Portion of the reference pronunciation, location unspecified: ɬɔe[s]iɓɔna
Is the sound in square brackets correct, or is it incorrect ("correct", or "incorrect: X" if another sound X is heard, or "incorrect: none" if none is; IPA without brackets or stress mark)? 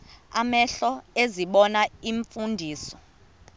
incorrect: z